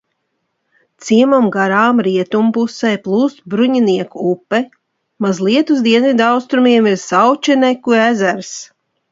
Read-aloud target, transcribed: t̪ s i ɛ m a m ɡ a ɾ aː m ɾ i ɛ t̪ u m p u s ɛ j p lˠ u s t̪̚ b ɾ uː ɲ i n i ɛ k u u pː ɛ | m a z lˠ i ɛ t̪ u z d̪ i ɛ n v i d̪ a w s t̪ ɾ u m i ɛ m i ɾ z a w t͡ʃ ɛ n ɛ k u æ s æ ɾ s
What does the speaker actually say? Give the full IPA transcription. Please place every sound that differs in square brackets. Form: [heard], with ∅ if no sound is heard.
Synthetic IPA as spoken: t̪ s i ɛ m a m ɡ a ɾ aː m ɾ i ɛ t̪ u m p u s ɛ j p lˠ [uː] s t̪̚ b ɾ [u] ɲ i n i ɛ k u u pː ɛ | m a z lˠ i ɛ t̪ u z d̪ i ɛ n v i d̪ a w s t̪ ɾ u m i ɛ m i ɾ [s] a w t͡ʃ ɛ n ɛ k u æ [z] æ ɾ s